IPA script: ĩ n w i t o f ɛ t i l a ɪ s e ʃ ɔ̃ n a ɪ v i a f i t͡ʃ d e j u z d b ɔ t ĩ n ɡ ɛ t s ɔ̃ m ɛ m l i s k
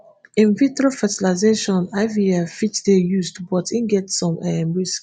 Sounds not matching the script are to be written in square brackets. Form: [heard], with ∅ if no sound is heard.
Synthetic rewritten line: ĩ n [v] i t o f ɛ t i l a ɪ [z] e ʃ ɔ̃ n a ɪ v i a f i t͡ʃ d e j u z d b ɔ t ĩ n ɡ ɛ t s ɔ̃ m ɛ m [ɹ] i s k